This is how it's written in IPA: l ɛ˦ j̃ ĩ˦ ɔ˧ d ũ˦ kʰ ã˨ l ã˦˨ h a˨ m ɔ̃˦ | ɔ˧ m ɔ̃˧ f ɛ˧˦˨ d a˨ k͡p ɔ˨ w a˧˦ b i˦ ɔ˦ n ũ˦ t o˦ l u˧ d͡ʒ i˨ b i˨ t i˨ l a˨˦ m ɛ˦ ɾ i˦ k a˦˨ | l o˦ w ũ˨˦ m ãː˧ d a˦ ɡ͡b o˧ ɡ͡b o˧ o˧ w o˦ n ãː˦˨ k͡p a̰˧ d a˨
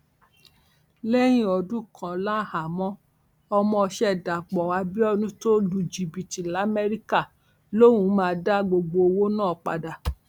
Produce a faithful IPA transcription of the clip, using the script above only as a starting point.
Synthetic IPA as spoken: l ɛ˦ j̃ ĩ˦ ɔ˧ d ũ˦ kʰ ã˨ l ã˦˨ h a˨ m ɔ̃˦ | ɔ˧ m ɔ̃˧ ʃ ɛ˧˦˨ d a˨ k͡p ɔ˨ w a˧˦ b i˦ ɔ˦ n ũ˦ t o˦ l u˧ d͡ʒ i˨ b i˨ t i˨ l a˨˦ m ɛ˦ ɾ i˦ k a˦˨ | l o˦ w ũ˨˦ m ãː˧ d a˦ ɡ͡b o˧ ɡ͡b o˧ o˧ w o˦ n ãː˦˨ k͡p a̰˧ d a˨